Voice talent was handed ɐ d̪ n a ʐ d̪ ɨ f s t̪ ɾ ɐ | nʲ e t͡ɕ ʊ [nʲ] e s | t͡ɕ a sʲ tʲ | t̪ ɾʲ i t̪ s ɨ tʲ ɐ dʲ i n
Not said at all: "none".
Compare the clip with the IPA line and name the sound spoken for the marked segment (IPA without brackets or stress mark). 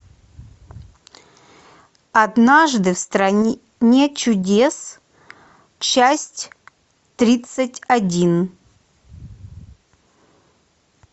dʲ